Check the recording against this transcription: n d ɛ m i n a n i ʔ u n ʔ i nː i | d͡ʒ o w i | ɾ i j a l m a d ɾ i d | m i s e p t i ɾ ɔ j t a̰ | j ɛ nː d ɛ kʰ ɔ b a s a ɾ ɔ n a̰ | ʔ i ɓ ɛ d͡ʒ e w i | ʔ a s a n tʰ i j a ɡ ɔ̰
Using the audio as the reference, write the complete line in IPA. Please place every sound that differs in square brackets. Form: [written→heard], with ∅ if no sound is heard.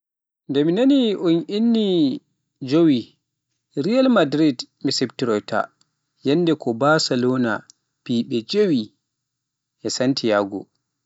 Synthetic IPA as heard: n d ɛ m i n a n i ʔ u n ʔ i nː i | d͡ʒ o w i | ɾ i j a l m a d ɾ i d | m i s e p t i ɾ ɔ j t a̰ | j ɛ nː d ɛ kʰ ɔ b a s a [ɾ→l] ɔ n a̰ | [ʔ→p] i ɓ ɛ d͡ʒ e w i | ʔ [a→ɛ] s a n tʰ i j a ɡ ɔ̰